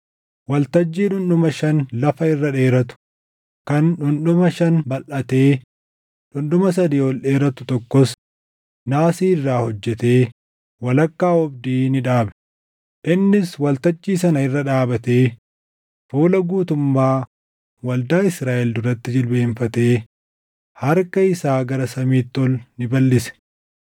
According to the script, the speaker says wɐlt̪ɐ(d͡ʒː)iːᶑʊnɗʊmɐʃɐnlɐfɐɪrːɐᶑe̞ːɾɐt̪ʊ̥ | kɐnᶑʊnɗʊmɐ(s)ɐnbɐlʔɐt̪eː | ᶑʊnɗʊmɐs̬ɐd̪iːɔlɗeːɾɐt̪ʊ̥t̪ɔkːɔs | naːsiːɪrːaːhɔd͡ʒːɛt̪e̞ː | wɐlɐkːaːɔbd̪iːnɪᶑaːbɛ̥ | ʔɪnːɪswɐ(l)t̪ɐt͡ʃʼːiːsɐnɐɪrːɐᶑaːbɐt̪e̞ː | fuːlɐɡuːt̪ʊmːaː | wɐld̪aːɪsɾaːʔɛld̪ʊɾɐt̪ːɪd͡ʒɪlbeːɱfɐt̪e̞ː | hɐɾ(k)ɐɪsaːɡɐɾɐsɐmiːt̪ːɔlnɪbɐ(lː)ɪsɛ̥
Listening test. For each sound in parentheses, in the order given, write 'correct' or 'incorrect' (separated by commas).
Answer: correct, incorrect, correct, correct, correct